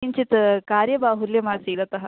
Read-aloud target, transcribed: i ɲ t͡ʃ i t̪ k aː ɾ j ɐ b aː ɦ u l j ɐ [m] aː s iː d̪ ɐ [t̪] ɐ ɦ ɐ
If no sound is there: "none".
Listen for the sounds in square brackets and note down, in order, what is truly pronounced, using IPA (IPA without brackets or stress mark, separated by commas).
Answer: m, t̪